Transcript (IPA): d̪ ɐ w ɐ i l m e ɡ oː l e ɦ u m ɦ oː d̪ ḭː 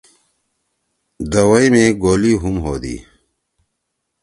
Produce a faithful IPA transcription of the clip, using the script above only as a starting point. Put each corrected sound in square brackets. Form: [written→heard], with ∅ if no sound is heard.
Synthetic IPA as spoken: d̪ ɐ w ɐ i [l→∅] m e ɡ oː l [e→i] ɦ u m ɦ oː d̪ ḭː